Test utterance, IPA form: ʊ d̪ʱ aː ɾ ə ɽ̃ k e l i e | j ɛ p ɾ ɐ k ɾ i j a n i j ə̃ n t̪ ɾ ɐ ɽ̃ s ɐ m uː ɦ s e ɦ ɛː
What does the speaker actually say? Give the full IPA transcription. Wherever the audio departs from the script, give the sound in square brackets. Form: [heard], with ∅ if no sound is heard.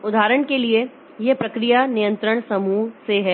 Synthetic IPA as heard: ʊ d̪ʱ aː ɾ ə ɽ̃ k e l i e | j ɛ p ɾ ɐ k ɾ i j a n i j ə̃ n t̪ ɾ [ə] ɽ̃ s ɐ m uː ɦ s e ɦ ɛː